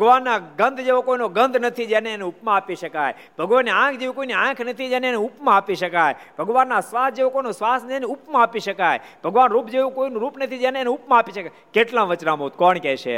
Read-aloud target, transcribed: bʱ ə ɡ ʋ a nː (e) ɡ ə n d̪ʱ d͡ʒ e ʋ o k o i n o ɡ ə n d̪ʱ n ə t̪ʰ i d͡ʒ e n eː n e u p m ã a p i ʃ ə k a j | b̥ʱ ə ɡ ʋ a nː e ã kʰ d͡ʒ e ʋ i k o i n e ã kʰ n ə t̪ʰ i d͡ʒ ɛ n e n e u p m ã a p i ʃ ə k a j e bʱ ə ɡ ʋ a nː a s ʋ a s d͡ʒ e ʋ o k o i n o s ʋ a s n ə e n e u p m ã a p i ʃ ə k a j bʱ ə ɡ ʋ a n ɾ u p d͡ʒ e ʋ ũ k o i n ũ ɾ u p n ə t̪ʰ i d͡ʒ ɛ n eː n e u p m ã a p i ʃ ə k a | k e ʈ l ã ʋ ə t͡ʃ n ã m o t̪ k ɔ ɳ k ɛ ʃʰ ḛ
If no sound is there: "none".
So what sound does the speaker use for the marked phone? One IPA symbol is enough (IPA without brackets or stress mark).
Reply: a